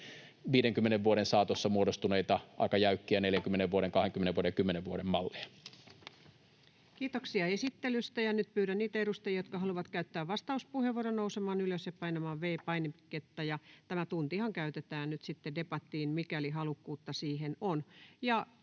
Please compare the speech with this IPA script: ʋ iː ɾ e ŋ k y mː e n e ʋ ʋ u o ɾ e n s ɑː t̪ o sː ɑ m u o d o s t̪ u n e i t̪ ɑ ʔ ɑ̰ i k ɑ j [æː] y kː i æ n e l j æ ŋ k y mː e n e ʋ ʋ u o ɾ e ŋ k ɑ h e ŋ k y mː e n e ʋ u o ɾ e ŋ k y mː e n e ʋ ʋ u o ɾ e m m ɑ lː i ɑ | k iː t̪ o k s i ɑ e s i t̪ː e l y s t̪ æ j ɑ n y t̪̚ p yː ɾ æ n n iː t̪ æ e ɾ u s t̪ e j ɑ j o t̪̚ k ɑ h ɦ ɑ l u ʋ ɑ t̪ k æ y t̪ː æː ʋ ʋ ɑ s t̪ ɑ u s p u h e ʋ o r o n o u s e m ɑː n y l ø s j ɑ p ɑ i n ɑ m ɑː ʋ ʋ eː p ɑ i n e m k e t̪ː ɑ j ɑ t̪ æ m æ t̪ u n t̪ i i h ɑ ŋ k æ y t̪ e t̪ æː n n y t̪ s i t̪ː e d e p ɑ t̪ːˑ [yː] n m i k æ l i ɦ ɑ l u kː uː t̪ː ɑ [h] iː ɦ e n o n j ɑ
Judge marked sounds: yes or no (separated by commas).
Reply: no, no, no